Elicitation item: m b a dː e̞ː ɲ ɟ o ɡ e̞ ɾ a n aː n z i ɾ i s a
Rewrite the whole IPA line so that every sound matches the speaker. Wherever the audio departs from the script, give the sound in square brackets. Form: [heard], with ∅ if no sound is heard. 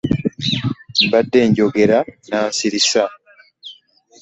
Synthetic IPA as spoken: m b a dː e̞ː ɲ ɟ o ɡ e̞ ɾ a n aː n [s] i ɾ i s a